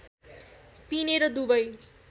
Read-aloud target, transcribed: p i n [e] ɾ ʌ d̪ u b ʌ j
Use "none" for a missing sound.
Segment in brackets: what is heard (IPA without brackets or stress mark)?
e